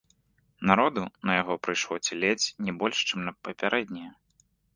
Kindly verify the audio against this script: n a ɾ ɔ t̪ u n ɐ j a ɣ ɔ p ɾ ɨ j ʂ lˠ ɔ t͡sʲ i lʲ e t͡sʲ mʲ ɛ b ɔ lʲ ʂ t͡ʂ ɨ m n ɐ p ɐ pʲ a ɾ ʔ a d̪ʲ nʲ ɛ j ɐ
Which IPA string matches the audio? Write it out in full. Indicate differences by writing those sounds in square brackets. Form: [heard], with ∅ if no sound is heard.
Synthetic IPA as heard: n a ɾ ɔ [d̪] u n ɐ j a ɣ ɔ p ɾ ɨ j ʂ lˠ ɔ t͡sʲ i lʲ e t͡sʲ [nʲ] ɛ b ɔ lʲ ʂ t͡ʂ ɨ m n ɐ p ɐ pʲ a ɾ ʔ [ɛ] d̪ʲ nʲ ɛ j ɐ